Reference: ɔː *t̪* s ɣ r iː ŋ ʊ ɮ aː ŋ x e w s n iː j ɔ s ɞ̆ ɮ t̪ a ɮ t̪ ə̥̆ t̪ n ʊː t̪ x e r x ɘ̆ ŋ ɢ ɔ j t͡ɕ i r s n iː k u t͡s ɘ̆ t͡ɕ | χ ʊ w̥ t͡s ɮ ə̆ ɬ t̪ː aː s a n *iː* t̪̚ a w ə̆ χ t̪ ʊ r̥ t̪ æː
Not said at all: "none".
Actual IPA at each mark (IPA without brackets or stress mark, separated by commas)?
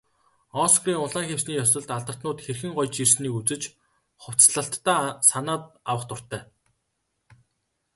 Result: none, aː